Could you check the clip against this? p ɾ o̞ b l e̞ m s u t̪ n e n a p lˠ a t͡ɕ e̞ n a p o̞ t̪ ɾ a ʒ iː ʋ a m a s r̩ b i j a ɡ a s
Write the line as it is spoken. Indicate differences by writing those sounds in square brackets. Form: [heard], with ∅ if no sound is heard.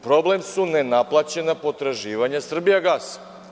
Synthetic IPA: p ɾ o̞ b l e̞ m s u [∅] n e n a p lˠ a t͡ɕ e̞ n a p o̞ t̪ ɾ a ʒ iː ʋ a [ɲ] a s r̩ b i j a ɡ a s